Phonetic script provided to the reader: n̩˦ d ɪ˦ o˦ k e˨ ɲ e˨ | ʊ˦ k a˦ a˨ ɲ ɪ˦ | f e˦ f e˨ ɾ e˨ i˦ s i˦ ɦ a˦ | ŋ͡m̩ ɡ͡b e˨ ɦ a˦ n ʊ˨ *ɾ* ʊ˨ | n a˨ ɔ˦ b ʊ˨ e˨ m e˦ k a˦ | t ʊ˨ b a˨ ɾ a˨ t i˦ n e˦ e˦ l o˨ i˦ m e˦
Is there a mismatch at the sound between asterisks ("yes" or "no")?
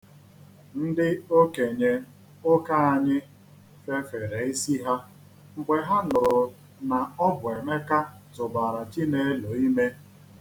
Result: no